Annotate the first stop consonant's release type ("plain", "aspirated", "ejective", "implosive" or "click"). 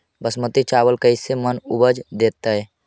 plain